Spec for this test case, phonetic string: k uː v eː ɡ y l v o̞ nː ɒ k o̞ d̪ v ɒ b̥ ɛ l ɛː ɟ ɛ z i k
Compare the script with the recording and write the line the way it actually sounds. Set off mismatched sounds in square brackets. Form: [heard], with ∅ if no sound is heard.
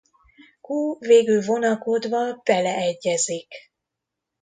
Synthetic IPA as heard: k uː v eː ɡ y l v o̞ [n] ɒ k o̞ d̪ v ɒ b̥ ɛ l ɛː [ɟː] ɛ z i k